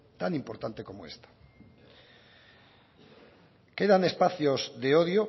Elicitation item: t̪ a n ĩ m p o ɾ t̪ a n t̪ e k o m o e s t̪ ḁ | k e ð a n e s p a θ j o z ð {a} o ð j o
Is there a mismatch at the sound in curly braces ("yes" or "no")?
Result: yes